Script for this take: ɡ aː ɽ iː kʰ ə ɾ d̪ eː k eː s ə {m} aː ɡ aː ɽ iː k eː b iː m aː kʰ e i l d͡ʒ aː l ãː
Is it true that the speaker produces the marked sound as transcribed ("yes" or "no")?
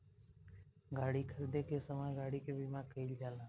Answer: yes